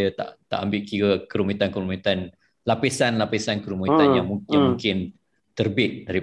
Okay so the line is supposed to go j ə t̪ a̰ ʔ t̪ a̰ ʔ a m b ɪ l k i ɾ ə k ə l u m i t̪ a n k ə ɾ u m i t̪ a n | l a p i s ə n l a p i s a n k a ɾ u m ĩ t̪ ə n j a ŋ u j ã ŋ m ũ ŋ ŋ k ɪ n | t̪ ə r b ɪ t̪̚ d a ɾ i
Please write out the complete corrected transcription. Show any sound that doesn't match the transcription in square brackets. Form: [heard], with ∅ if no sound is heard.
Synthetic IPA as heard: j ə t̪ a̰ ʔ t̪ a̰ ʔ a m b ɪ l k i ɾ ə k ə [ɾ] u m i t̪ a n k ə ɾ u m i t̪ a n | l a p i s [a] n l a p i s a n k [ə] ɾ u m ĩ t̪ [a] n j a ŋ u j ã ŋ m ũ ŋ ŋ k ɪ n | t̪ ə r b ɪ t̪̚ d a ɾ i